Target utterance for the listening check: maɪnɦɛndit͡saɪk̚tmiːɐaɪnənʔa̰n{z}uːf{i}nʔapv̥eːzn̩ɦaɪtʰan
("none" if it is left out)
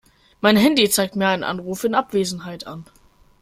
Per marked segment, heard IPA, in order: ʁ, ɪ

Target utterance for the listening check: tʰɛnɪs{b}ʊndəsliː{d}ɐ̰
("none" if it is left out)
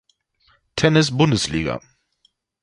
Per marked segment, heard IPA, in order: b, ɡ

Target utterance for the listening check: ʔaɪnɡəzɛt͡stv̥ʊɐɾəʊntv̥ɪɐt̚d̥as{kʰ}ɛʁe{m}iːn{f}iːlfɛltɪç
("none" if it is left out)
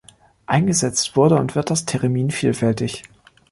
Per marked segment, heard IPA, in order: tʰ, m, f

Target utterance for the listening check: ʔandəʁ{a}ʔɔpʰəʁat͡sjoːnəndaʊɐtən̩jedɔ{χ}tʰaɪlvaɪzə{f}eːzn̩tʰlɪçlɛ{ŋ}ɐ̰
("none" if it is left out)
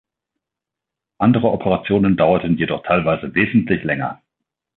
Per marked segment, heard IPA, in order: ə, χ, v, ŋ

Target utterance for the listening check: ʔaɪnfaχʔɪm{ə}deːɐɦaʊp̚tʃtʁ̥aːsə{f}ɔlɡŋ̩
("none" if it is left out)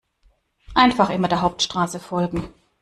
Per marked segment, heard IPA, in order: ɐ, f

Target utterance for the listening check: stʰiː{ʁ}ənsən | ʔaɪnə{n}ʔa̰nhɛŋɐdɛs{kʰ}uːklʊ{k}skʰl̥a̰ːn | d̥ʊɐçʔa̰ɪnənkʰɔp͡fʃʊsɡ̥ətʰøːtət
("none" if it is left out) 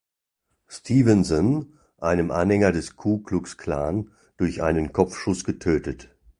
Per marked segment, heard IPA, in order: v, m, kʰ, k

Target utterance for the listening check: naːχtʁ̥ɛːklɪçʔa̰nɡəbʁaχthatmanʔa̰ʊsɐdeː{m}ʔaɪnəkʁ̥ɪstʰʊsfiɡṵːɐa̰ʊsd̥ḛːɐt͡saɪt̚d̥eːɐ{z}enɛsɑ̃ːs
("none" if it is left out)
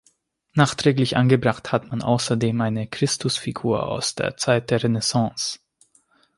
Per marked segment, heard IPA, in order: m, ʁ

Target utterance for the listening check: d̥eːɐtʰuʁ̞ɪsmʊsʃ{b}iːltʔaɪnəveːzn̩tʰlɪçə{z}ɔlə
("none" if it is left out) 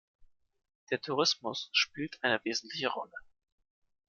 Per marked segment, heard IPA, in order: p, ʁ

